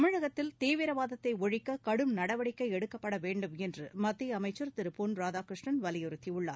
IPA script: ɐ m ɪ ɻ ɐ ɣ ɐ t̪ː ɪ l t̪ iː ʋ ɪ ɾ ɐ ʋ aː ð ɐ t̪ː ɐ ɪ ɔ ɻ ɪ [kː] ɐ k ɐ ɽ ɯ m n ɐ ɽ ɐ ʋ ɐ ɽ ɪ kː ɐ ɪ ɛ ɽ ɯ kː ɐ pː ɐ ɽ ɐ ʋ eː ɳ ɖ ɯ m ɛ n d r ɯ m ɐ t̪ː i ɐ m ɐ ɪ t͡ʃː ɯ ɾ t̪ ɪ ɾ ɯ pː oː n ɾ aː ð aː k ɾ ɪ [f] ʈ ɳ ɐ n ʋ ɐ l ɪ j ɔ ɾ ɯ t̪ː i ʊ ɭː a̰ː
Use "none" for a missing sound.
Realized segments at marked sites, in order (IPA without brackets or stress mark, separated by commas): kː, ʂ